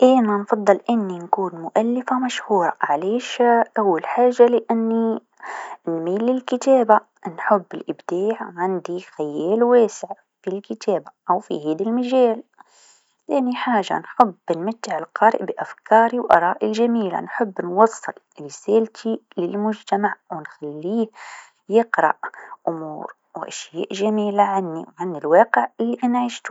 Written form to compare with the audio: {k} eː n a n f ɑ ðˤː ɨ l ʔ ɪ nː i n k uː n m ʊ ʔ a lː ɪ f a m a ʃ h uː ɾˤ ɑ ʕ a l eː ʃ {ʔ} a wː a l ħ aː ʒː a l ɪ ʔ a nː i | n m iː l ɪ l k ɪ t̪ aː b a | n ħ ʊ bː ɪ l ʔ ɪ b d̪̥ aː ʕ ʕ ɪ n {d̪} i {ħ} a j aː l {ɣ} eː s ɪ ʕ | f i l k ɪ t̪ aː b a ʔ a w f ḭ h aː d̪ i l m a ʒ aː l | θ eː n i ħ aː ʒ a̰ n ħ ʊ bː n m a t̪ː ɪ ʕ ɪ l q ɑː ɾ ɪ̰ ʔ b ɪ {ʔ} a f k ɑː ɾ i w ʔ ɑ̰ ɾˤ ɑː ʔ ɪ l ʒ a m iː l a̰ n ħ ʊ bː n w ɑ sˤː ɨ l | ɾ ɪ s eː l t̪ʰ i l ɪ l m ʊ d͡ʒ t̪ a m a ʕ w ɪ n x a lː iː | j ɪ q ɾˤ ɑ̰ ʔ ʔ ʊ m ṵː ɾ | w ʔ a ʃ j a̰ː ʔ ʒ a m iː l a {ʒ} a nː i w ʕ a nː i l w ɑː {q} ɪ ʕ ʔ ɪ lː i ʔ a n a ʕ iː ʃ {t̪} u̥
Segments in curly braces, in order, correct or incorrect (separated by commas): incorrect, correct, correct, incorrect, incorrect, correct, incorrect, correct, correct